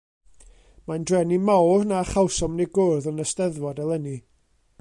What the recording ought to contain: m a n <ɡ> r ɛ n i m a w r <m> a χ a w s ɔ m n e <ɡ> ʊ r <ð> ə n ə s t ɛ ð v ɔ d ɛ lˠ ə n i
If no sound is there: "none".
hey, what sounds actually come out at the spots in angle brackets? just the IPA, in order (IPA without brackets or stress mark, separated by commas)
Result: d, n, ɡ, ð